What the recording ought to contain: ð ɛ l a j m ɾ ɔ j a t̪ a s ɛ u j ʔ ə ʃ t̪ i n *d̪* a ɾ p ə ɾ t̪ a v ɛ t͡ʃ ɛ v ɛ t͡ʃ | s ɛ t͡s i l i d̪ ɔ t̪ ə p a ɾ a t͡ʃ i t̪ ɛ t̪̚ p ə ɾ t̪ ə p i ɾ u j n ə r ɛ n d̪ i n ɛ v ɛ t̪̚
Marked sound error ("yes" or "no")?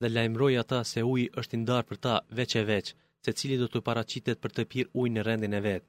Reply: no